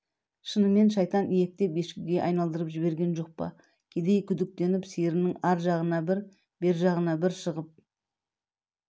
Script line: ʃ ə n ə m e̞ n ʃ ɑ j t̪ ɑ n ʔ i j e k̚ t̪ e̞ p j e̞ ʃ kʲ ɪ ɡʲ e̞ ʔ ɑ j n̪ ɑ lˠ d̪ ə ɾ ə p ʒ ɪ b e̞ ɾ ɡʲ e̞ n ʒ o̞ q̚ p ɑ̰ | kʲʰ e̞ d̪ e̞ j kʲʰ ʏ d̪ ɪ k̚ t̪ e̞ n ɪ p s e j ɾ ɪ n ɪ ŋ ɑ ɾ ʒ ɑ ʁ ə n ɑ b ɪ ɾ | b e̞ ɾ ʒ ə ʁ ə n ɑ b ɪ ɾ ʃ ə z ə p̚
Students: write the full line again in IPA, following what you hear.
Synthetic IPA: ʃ ə n ə m e̞ n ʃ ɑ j t̪ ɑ n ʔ i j e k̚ t̪ e̞ p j e̞ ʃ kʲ ɪ ɡʲ e̞ ʔ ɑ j n̪ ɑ lˠ d̪ ə ɾ ə p ʒ ɪ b e̞ ɾ ɡʲ e̞ n ʒ o̞ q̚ p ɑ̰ | kʲʰ e̞ d̪ e̞ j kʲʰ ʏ d̪ ɪ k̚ t̪ e̞ n ɪ p s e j ɾ ɪ n ɪ ŋ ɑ ɾ ʒ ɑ ʁ ə n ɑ b ɪ ɾ | b e̞ ɾ ʒ ɑ ʁ ə n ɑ b ɪ ɾ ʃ ə ʁ ə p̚